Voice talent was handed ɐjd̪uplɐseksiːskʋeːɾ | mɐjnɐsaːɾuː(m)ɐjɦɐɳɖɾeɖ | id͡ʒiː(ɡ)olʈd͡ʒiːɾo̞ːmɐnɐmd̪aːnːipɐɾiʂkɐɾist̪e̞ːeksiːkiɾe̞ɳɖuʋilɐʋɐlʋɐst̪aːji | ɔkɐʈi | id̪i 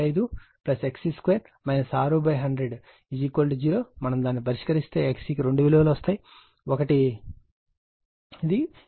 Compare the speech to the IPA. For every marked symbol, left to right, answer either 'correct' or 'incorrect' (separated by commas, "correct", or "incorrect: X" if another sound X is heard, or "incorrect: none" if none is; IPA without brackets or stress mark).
incorrect: b, incorrect: k